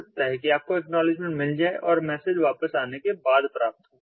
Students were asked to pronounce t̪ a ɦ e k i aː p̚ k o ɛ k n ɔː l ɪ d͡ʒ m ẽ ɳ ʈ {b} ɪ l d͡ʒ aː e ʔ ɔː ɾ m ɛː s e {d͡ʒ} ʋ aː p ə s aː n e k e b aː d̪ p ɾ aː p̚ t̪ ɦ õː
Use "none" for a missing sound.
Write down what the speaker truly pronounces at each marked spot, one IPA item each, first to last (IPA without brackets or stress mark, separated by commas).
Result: m, d͡ʒ